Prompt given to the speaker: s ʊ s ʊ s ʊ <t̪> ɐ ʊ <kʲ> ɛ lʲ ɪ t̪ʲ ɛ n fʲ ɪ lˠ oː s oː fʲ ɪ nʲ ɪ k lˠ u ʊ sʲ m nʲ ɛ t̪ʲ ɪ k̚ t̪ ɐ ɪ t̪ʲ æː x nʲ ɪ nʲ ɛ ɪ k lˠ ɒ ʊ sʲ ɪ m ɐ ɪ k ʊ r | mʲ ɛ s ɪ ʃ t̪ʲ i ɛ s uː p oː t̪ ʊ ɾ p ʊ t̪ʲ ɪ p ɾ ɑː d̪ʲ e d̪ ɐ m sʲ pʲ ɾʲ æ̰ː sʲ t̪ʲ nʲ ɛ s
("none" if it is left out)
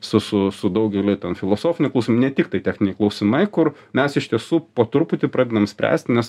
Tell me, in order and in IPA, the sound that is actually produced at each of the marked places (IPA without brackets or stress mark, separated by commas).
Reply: d̪, ɡʲ